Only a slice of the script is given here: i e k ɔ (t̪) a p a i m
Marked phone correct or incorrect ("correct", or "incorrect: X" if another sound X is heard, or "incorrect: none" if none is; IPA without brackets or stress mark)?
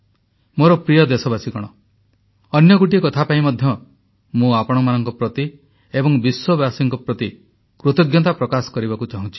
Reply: incorrect: t̪ʰ